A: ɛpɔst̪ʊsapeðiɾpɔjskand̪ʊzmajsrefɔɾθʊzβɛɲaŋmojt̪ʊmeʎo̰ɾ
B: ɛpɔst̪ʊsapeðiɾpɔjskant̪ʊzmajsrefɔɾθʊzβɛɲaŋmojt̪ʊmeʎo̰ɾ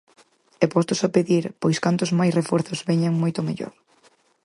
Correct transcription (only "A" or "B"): B